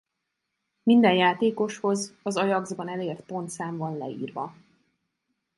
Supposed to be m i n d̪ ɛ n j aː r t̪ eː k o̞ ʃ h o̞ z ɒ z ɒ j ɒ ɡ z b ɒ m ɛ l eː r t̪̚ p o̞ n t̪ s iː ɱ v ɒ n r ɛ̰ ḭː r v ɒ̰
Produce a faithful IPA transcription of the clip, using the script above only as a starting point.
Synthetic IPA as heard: m i n d̪ ɛ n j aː t̪ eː k o̞ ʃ h o̞ z ɒ z ɒ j ɒ ɡ z b ɒ n ɛ l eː r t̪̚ p o̞ n t̪ s aː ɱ v ɒ n l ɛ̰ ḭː r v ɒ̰